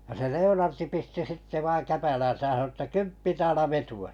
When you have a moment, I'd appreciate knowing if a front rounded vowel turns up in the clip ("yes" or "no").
yes